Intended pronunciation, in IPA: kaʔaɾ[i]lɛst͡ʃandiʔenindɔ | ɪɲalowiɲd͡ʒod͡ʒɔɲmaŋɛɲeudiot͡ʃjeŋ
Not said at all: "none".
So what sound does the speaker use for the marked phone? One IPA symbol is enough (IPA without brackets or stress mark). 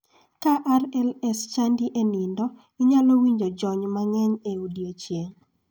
ɛ